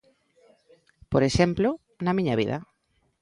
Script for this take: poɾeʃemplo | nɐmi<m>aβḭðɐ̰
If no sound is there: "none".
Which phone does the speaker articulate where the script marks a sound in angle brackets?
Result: ɲ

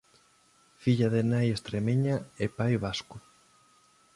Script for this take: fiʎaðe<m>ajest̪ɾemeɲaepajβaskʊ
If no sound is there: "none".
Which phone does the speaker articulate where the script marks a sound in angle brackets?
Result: n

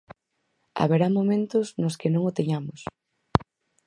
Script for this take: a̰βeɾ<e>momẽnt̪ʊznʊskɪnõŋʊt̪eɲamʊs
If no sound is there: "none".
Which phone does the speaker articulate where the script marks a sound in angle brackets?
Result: a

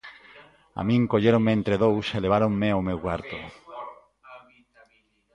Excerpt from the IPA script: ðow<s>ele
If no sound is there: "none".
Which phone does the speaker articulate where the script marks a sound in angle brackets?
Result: s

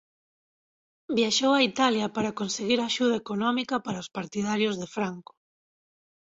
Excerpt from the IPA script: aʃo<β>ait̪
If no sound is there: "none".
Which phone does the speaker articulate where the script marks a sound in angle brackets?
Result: w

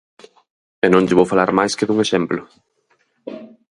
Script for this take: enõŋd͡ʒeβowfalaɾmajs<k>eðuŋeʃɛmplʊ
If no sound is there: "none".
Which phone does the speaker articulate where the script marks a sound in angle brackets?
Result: k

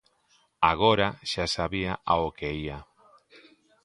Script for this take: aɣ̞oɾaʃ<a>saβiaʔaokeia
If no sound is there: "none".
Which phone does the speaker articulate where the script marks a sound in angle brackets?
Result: a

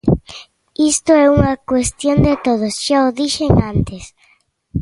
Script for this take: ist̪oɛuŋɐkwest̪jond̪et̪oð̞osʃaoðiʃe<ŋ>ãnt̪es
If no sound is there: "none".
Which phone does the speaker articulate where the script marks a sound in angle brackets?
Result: ŋ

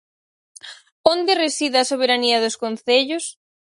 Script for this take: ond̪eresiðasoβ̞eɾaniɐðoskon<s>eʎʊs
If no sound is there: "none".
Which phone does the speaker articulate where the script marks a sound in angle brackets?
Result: θ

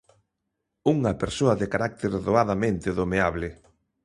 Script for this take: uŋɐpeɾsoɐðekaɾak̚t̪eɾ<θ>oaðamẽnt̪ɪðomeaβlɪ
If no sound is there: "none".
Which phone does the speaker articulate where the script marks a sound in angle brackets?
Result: ð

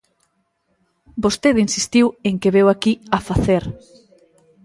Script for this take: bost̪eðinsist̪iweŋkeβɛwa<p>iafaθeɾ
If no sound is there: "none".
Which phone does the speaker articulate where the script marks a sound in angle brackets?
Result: k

